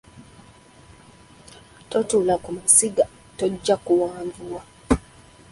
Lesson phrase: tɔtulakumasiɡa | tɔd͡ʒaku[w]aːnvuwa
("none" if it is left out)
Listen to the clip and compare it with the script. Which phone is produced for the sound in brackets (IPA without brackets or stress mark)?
w